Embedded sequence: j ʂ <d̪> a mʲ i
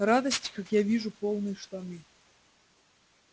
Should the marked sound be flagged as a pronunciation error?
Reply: yes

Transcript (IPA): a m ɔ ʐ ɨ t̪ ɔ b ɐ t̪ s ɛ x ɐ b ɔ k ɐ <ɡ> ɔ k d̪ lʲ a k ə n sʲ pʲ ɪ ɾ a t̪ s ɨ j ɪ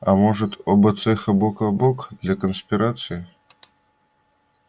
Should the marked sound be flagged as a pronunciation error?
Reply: yes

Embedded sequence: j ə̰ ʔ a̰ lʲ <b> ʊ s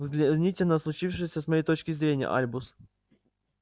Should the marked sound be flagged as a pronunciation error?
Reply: no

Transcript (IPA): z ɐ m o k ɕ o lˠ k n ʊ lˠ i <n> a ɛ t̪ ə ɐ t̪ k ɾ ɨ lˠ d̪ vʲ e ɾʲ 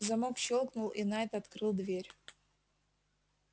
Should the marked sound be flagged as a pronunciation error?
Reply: no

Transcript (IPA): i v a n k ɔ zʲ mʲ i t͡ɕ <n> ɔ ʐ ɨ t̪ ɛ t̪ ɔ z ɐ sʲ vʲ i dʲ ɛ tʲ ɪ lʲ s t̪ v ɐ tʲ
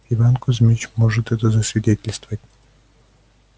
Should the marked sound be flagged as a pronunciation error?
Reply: yes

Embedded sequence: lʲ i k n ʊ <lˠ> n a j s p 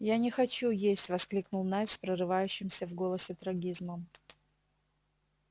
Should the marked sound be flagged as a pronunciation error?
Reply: no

